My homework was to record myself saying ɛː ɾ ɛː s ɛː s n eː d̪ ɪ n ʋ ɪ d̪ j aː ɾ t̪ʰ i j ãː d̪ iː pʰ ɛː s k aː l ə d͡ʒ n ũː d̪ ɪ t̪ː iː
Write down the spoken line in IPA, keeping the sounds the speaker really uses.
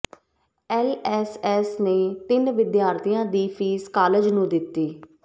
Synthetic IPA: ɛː l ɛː s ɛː s n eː t̪ ɪ n ʋ ɪ d̪ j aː ɾ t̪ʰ i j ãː d̪ iː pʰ iː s k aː l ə d͡ʒ n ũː d̪ ɪ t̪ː iː